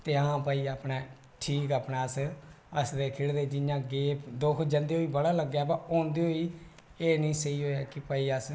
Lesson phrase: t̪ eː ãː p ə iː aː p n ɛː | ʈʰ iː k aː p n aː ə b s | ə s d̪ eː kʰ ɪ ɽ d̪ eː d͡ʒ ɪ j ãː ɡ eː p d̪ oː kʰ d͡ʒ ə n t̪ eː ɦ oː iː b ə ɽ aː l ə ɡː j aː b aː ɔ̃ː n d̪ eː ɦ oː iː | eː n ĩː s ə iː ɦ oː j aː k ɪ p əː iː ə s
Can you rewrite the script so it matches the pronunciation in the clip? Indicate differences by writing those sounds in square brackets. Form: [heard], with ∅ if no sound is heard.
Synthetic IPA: t̪ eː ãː p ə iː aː p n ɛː | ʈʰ iː k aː p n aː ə [∅] s | ə s d̪ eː kʰ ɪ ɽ d̪ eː d͡ʒ ɪ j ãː ɡ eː p d̪ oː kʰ d͡ʒ ə n [d̪] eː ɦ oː iː b ə ɽ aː l ə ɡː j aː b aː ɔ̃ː n d̪ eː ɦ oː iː | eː n ĩː s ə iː ɦ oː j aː k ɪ p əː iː ə s

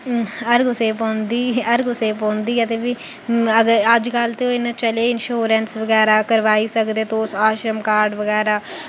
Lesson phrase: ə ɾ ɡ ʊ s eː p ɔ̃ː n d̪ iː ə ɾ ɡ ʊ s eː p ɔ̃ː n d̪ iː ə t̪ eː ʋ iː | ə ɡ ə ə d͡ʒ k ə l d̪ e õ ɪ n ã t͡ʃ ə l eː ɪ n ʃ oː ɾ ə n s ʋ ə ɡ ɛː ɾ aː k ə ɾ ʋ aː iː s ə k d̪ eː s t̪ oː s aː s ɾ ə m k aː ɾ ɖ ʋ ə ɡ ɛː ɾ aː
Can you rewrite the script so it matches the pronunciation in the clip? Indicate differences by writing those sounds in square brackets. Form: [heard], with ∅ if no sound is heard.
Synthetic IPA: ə ɾ ɡ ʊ s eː p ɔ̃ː n d̪ iː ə ɾ ɡ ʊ s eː p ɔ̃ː n d̪ iː ə t̪ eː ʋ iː | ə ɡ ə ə d͡ʒ k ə l [t̪] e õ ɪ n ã t͡ʃ ə l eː ɪ n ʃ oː ɾ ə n s ʋ ə ɡ ɛː ɾ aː k ə ɾ ʋ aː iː s ə k d̪ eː [∅] t̪ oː s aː [ʃ] ɾ ə m k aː ɾ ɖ ʋ ə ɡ ɛː ɾ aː

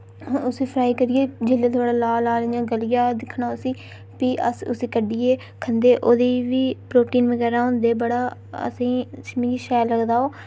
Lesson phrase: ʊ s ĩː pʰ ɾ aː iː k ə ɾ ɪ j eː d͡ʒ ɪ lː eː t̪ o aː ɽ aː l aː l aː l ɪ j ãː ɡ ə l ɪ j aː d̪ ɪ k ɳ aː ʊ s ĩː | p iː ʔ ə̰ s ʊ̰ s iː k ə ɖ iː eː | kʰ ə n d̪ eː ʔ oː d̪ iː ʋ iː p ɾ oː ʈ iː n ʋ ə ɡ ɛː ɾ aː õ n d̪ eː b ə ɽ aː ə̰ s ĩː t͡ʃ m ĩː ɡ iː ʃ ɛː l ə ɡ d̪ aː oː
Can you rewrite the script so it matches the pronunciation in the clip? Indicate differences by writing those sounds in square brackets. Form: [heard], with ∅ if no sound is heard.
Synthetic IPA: ʊ s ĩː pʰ ɾ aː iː k ə ɾ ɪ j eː d͡ʒ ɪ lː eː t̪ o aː ɽ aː l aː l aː l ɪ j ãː ɡ ə l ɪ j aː d̪ ɪ [kʰ] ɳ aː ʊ s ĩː | p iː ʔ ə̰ s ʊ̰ s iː k ə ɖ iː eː | kʰ ə n d̪ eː ʔ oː d̪ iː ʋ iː p ɾ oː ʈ iː n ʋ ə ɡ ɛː ɾ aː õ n d̪ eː b ə ɽ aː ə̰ s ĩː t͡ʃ m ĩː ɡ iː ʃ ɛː l ə ɡ d̪ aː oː

